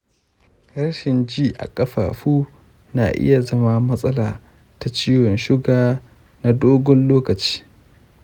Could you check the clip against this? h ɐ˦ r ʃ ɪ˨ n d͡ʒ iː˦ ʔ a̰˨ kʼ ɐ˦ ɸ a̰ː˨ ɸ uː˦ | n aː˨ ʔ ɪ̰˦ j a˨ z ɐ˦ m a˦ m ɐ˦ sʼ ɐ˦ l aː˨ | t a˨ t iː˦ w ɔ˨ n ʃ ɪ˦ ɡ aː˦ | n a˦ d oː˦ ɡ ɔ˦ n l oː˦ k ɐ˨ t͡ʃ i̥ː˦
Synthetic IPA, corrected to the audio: h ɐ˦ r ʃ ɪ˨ n d͡ʒ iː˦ ʔ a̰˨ kʼ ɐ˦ ɸ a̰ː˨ ɸ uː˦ | n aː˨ ʔ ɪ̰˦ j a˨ z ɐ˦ m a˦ m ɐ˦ sʼ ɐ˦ l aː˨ | t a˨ t͡ʃ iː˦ w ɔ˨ n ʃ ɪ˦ ɡ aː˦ | n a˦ d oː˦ ɡ ɔ˦ n l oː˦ k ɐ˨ t͡ʃ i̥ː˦